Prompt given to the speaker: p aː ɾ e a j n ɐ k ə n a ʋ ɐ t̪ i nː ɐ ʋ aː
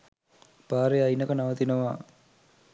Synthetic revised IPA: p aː ɾ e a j n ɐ k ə n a ʋ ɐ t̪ i n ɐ ʋ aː